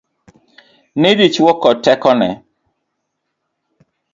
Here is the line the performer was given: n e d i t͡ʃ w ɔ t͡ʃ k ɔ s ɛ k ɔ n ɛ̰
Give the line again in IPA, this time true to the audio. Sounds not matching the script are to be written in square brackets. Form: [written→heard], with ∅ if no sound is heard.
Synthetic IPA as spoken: n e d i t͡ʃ w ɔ [t͡ʃ→∅] k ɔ [s→t] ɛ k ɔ n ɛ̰